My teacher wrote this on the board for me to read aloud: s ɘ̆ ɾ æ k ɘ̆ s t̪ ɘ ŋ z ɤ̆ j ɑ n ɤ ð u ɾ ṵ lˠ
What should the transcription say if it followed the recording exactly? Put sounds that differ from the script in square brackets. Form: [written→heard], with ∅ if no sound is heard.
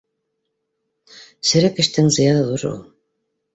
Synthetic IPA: s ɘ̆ ɾ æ k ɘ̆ [s→ʃ] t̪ ɘ ŋ z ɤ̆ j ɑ n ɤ ð u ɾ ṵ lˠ